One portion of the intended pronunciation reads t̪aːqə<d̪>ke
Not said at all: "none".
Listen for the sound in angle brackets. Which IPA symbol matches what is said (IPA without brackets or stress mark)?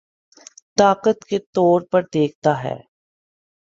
t̪